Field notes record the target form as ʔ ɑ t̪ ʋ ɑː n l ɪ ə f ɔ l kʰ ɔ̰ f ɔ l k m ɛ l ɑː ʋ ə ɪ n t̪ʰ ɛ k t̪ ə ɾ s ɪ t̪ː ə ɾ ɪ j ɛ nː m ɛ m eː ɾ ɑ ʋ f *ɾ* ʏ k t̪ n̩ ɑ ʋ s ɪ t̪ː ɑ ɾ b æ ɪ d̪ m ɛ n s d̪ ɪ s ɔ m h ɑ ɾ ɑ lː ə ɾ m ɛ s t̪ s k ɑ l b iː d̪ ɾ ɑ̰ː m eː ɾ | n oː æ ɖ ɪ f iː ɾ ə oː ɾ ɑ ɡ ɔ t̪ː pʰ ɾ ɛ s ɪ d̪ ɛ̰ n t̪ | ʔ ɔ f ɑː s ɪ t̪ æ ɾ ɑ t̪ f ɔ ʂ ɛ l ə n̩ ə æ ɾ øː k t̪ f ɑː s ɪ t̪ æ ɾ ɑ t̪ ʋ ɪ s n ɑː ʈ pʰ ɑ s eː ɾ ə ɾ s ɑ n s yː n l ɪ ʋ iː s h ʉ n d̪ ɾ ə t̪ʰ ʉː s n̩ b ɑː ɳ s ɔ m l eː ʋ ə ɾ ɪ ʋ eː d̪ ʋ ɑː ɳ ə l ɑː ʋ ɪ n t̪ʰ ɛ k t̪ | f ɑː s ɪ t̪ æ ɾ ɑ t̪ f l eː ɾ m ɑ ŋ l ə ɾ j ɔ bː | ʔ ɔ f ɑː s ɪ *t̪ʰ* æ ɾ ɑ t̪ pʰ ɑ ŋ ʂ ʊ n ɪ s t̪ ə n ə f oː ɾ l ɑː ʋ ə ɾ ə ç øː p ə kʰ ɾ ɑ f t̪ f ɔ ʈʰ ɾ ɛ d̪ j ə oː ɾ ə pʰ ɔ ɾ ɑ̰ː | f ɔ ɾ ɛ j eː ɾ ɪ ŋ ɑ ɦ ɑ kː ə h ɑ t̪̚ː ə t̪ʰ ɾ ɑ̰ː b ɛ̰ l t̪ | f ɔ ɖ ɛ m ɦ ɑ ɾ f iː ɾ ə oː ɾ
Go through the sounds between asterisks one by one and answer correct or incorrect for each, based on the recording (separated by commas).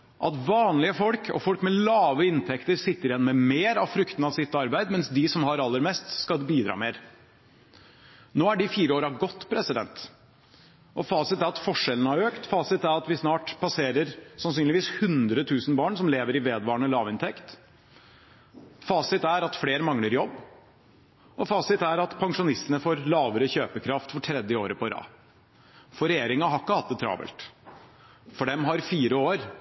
correct, incorrect